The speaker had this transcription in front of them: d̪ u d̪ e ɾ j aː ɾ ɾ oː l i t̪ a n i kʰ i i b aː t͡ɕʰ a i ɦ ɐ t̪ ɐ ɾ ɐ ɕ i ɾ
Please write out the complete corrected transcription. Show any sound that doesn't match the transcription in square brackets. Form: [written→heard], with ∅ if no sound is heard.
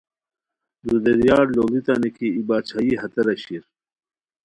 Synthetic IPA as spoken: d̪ u d̪ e ɾ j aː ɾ [ɾ→l] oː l i t̪ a n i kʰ i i b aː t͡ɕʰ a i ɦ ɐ t̪ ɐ ɾ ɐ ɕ i ɾ